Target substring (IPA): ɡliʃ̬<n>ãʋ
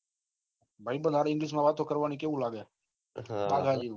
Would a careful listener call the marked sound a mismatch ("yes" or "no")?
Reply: yes